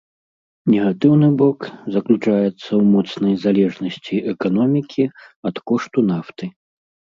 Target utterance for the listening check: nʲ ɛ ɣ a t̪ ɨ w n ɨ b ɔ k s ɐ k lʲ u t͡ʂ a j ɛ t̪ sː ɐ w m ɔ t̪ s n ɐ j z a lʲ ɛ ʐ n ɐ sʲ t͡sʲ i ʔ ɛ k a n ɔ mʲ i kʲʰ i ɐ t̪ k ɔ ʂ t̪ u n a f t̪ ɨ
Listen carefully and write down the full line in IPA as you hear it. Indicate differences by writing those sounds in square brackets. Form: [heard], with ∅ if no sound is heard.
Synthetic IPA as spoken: nʲ ɛ ɣ a t̪ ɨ w n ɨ b ɔ k [z] ɐ k lʲ u t͡ʂ a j ɛ t̪ sː ɐ w m ɔ t̪ s n ɐ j z a lʲ ɛ ʐ n ɐ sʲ t͡sʲ i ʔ ɛ k a n ɔ mʲ i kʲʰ i ɐ t̪ k ɔ ʂ t̪ u n a f t̪ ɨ